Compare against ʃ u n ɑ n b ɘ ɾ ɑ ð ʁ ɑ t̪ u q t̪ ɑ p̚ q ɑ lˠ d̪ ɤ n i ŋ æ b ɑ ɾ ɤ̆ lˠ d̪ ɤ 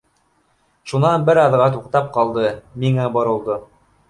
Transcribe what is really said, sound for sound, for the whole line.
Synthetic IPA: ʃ u n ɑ n b ɘ ɾ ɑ ð ʁ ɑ t̪ u q t̪ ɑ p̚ q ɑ lˠ d̪ ɤ m i ŋ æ b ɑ ɾ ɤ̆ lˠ d̪ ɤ